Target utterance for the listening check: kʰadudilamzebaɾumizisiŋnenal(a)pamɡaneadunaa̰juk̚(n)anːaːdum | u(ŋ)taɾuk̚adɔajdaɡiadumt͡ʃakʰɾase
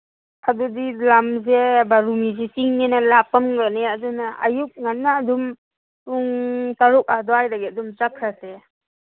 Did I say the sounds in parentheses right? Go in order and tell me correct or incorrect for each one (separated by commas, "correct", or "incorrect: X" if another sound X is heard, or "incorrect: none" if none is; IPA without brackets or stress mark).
correct, incorrect: ŋ, correct